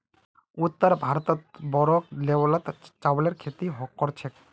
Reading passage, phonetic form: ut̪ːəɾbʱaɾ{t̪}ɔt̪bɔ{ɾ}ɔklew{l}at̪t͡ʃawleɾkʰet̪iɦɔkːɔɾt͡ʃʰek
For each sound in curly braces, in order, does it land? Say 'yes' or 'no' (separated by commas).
yes, yes, yes